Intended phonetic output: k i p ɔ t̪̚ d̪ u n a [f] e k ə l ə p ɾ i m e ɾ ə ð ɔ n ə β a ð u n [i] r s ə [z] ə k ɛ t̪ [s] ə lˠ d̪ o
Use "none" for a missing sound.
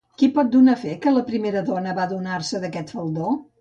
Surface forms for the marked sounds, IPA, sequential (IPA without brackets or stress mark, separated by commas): f, a, ð, f